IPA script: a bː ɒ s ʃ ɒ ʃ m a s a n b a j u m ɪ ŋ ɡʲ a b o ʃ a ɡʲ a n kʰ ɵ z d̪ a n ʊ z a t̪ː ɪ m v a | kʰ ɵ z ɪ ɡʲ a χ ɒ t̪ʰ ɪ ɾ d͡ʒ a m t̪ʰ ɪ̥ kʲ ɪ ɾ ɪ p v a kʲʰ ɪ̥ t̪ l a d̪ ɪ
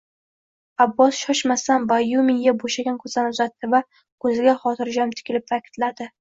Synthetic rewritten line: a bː ɒ s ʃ ɒ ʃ m a s a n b a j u m ɪ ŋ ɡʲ a b o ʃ a ɡʲ a n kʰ ɵ z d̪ a n ʊ z a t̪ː ɪ v a | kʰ ɵ z ɪ ɡʲ a χ ɒ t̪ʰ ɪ ɾ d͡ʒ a m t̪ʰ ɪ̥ kʲ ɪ l ɪ p v a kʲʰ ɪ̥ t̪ l a d̪ ɪ